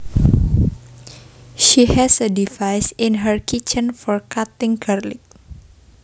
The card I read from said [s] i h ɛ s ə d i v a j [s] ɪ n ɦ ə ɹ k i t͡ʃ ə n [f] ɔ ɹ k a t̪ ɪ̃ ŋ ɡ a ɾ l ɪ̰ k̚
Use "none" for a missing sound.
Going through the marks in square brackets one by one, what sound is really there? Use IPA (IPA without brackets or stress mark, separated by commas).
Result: ʃ, s, f